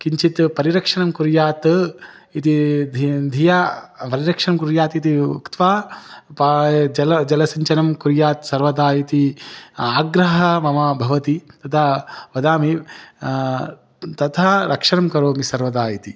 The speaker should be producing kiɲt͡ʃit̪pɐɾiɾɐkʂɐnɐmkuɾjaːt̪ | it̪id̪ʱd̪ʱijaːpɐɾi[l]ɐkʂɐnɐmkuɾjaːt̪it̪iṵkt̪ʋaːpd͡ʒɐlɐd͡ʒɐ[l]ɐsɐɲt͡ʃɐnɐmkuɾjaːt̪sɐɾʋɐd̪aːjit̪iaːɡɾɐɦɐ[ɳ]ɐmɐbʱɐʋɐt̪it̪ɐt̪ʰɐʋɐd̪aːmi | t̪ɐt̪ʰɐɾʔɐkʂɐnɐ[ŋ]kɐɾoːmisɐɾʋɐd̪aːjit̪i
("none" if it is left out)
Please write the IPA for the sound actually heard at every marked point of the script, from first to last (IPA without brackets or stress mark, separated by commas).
ɾ, l, m, m